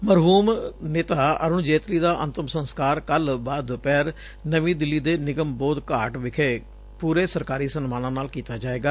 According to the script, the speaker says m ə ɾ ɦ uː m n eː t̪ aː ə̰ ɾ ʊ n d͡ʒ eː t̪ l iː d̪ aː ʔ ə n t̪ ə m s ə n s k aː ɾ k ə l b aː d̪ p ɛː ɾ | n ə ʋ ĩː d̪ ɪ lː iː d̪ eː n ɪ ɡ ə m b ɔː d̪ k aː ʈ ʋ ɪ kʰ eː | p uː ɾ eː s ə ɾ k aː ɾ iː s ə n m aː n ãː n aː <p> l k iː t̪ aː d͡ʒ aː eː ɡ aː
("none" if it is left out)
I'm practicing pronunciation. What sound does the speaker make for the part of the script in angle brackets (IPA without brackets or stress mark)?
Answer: none